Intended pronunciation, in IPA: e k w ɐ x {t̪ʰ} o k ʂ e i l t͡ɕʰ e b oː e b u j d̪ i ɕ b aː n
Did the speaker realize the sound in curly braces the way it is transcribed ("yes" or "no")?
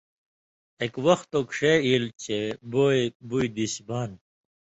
no